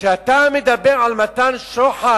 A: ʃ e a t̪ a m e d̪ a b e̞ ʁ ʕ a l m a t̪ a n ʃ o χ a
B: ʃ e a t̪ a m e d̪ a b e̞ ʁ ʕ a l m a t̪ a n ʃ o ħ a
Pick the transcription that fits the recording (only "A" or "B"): B